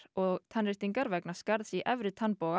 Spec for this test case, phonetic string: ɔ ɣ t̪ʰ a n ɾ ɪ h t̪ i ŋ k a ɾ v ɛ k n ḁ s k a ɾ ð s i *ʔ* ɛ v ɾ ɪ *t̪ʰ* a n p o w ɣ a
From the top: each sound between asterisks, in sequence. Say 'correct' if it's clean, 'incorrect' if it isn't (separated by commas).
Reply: correct, correct